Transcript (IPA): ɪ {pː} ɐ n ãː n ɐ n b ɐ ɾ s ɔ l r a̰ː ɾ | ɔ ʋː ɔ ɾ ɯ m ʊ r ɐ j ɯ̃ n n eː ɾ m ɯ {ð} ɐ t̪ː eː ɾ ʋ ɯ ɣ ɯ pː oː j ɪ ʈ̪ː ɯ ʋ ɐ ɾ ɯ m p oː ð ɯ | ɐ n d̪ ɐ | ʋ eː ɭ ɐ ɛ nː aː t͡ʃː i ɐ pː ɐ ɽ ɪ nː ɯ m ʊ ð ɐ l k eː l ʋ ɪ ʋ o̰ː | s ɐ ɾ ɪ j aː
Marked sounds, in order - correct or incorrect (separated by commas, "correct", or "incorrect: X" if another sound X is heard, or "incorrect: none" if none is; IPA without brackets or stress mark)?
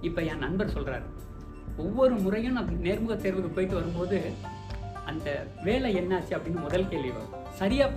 correct, incorrect: ɣ